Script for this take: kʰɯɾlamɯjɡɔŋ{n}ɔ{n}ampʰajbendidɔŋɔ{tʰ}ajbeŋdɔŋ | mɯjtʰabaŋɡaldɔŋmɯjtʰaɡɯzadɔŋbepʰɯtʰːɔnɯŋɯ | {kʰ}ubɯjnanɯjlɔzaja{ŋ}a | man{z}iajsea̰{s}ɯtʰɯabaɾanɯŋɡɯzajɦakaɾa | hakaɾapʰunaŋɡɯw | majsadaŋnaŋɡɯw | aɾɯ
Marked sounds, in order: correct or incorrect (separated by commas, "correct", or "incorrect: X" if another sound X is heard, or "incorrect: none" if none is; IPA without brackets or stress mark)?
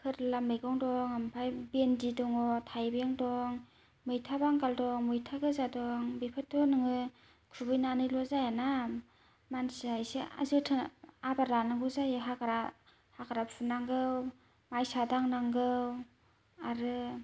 incorrect: d, incorrect: ŋ, correct, correct, incorrect: n, incorrect: s, incorrect: z